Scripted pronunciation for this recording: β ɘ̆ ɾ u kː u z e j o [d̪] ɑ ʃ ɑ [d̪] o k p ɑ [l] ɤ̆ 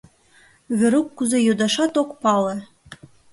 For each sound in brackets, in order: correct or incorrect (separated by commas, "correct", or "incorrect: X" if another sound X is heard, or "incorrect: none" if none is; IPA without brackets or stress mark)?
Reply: correct, incorrect: t̪, correct